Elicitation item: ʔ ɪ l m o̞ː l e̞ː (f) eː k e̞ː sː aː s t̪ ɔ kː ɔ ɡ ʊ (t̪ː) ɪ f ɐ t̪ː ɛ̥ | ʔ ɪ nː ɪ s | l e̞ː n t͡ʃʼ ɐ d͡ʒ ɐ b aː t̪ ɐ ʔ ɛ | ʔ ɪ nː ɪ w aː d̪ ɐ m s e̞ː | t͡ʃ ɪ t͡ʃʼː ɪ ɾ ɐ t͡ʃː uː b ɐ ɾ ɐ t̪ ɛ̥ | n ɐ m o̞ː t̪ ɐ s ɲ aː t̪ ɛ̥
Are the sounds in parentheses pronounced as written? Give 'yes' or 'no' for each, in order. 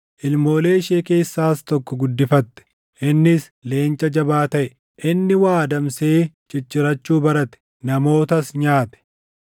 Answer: no, no

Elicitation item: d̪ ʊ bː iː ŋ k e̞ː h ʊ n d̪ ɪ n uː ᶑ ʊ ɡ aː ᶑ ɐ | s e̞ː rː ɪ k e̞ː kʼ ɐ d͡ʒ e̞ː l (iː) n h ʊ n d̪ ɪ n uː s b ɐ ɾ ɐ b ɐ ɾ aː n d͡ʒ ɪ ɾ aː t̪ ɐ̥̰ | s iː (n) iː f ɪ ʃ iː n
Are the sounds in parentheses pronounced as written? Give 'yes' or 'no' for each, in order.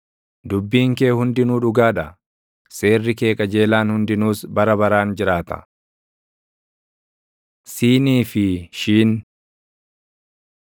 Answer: no, yes

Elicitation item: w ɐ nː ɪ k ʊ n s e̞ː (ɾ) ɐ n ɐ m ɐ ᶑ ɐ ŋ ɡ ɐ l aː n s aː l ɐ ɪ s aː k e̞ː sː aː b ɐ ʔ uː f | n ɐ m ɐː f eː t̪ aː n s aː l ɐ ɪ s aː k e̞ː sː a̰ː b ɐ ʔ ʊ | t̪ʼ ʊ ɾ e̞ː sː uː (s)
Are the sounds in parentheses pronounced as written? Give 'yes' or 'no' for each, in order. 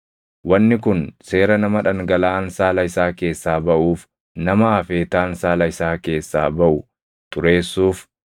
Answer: yes, no

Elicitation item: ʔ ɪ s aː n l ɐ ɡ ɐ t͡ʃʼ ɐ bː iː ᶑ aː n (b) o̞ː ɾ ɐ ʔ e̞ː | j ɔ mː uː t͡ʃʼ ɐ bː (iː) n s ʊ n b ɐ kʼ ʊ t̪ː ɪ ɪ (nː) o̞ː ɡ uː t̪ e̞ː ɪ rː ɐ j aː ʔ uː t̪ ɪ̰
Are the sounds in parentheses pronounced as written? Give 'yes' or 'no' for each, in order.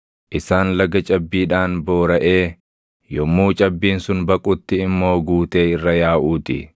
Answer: yes, yes, no

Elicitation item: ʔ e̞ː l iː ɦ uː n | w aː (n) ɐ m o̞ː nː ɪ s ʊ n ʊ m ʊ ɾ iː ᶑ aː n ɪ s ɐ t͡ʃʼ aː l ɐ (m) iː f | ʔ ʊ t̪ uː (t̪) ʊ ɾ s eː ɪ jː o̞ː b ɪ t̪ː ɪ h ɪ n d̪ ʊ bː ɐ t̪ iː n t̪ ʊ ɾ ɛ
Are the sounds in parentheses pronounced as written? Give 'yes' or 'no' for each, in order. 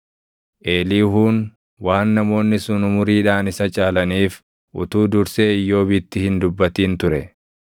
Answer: no, no, no

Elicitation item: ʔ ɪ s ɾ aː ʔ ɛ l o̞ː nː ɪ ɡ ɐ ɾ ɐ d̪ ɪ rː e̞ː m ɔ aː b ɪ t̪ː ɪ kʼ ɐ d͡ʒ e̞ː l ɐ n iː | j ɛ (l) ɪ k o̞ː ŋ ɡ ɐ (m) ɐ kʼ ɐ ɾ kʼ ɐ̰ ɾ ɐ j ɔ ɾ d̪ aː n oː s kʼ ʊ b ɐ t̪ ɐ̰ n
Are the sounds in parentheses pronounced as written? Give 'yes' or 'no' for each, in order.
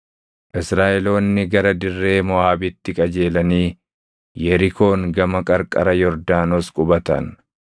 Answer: no, yes

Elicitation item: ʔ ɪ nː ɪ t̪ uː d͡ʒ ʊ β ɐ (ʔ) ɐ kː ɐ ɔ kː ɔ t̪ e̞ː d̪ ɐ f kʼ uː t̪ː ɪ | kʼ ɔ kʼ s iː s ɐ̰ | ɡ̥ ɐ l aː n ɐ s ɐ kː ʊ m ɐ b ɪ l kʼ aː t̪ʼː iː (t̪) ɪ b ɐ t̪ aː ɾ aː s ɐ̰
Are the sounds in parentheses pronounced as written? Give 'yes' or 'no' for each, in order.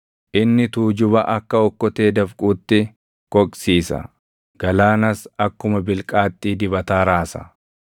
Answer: yes, no

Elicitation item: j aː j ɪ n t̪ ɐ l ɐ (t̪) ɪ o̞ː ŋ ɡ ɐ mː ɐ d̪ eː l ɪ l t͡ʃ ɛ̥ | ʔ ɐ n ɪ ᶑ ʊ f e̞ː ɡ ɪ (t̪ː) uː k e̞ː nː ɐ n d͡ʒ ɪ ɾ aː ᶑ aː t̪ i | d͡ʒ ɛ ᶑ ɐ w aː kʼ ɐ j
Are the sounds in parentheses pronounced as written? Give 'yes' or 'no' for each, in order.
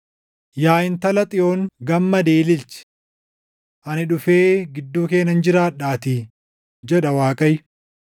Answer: no, no

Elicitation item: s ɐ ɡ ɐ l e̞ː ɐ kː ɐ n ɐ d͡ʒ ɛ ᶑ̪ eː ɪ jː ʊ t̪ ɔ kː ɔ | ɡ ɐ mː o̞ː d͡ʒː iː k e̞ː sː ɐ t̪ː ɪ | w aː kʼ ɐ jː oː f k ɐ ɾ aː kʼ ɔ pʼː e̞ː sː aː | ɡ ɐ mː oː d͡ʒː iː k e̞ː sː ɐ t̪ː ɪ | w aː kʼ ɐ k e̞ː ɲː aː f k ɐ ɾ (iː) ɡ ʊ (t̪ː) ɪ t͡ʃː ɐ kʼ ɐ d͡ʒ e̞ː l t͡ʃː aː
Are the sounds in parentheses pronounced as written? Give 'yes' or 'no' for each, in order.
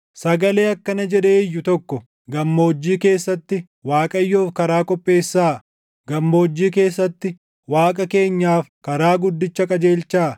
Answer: no, no

